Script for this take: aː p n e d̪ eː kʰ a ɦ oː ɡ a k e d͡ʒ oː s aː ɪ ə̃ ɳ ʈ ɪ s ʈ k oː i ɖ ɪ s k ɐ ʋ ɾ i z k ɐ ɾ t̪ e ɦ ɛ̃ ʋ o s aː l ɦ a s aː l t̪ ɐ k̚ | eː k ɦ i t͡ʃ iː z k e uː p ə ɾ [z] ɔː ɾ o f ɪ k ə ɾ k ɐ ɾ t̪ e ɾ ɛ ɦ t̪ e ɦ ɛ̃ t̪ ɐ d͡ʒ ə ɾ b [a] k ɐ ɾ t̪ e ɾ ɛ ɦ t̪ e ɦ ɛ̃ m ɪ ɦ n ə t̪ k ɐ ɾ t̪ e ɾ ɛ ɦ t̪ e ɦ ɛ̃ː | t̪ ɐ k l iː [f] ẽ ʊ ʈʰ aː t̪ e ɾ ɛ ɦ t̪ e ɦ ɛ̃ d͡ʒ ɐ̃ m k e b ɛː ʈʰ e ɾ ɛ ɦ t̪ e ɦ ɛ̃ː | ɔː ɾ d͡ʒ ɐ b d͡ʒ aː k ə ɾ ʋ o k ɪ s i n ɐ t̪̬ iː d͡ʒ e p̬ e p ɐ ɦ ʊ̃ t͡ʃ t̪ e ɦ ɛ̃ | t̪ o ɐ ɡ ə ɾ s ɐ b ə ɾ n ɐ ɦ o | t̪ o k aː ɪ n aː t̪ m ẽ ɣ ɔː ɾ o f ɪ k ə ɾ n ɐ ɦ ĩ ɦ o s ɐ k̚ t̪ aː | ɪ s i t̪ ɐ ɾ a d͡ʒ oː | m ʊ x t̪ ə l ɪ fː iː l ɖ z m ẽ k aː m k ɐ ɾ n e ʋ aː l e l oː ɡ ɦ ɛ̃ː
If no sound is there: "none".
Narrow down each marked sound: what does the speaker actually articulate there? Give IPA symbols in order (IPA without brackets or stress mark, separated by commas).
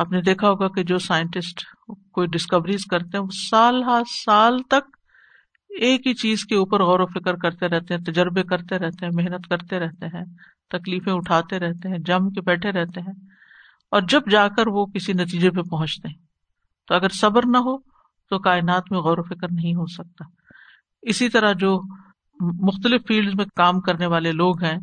ɣ, e, f